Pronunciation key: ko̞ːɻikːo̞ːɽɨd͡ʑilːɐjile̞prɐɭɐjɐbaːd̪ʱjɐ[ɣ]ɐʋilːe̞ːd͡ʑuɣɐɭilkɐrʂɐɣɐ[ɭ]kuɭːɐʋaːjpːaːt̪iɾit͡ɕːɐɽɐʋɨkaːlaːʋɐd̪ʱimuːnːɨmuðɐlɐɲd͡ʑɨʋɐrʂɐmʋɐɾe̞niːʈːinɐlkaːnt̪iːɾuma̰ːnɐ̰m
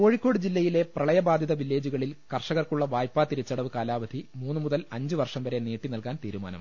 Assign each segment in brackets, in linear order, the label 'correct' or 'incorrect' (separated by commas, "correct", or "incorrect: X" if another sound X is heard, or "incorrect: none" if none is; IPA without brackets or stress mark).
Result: incorrect: ð, incorrect: r